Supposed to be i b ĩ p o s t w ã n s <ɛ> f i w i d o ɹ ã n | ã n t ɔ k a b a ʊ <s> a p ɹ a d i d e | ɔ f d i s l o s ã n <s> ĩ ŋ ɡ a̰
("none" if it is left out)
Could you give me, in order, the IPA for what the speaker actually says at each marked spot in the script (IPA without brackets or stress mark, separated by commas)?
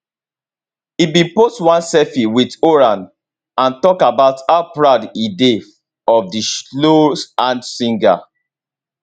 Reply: ɛ, t, s